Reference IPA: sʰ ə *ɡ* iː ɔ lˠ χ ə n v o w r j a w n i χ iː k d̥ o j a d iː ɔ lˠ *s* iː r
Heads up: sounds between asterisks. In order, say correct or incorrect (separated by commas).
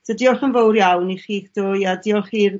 incorrect, incorrect